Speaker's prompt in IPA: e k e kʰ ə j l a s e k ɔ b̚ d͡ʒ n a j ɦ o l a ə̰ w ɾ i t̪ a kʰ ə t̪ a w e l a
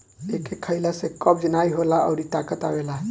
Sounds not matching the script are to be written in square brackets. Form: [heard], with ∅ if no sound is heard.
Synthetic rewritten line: e k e kʰ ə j l a s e k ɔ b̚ d͡ʒ n a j ɦ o l a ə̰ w ɾ i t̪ a [k] ə t̪ a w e l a